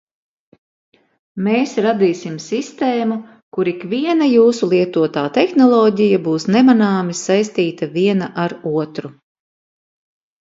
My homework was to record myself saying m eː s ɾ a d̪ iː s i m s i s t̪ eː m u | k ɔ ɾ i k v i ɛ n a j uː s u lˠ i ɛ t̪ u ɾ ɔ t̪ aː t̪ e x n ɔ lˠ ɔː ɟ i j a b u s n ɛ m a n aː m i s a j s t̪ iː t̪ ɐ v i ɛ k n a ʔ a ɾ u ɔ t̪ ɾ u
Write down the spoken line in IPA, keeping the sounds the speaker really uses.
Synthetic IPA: m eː s ɾ a d̪ iː s i m s i s t̪ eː m u | k u ɾ i k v i ɛ n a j uː s u lˠ i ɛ t̪ u ɔ t̪ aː t̪ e x n ɔ lˠ ɔː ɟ i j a b uː s n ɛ m a n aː m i s a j s t̪ iː t̪ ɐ v i ɛ n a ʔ a ɾ u ɔ t̪ ɾ u